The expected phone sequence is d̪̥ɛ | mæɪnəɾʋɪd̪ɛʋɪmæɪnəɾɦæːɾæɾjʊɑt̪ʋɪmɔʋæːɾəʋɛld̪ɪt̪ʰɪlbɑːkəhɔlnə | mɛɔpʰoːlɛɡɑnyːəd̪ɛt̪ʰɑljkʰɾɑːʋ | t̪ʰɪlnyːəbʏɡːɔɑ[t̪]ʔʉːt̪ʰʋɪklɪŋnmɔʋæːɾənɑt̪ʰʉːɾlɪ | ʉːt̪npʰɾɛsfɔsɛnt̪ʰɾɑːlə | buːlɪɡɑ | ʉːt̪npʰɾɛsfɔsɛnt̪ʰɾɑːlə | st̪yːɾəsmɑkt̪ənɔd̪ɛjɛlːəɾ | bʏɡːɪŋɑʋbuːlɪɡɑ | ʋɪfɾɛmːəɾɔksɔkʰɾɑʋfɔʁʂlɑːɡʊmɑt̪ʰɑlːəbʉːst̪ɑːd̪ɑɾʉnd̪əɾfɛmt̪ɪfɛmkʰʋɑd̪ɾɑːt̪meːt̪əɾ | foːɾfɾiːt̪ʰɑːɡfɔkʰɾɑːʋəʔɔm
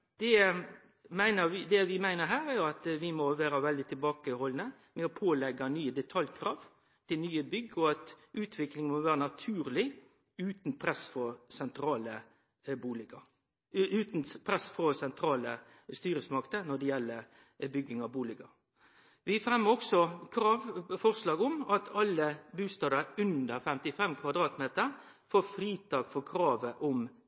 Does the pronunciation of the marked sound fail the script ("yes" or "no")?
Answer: no